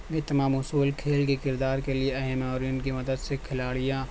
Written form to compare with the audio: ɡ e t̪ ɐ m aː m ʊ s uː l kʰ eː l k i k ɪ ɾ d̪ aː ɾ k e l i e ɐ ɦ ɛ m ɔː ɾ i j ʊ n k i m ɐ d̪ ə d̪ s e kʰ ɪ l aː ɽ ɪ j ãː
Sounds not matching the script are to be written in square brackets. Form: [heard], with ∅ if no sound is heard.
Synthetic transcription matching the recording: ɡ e t̪ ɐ m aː m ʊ s uː l kʰ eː l k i k ɪ ɾ d̪ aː ɾ k e l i e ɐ ɦ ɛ m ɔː ɾ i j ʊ n k i m ɐ d̪ ə d̪ s e kʰ ɪ l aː ɽ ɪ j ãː